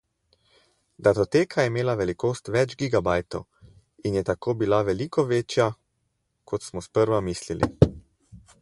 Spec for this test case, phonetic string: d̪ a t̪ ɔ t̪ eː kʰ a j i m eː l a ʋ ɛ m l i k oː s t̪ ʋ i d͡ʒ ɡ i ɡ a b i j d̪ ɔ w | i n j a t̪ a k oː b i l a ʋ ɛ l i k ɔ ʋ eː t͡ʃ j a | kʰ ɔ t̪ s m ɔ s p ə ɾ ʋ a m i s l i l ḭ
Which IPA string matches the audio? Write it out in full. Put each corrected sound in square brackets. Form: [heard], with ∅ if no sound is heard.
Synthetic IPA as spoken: d̪ a t̪ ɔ t̪ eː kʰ a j [ɛ] m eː l a ʋ ɛ [∅] l i k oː s t̪ ʋ [ɛ] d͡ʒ ɡ i ɡ a b [a] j [t̪] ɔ w | i n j [ɛ] t̪ a k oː b i l a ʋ ɛ l i k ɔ ʋ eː t͡ʃ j a | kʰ ɔ t̪ s m ɔ s p ə ɾ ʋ a m i s l i l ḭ